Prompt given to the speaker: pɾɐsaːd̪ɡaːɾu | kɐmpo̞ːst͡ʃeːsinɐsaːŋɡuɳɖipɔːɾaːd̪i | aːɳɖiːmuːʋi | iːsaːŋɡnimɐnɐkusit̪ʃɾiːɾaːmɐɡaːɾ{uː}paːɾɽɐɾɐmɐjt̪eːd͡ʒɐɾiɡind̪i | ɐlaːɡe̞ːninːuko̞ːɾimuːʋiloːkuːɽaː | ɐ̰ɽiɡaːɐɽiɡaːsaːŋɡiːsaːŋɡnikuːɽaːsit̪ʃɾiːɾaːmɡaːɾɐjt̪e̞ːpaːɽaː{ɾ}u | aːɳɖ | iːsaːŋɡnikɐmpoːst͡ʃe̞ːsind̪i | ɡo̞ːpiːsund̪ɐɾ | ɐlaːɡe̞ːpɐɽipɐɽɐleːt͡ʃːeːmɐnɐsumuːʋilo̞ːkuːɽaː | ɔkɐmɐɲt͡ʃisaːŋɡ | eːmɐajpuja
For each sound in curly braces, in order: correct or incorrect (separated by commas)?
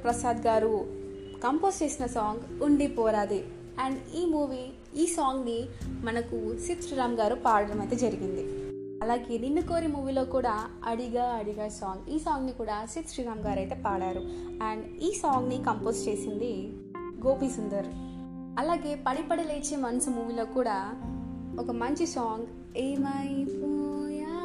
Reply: incorrect, correct